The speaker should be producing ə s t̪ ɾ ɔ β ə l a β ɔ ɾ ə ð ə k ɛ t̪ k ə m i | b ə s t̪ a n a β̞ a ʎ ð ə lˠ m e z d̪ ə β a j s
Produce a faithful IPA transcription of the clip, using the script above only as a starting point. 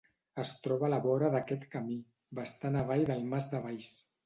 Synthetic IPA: ə s t̪ ɾ ɔ β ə l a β ɔ ɾ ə ð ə k ɛ t̪ k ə m i | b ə s t̪ a n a β̞ a j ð ə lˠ m a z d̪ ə β a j s